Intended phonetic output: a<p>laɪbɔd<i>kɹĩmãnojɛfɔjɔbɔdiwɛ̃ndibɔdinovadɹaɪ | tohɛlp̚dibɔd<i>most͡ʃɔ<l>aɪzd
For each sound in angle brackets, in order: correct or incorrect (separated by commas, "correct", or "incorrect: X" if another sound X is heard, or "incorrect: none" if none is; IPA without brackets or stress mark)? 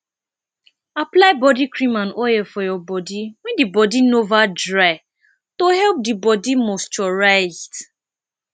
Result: correct, correct, correct, incorrect: ɹ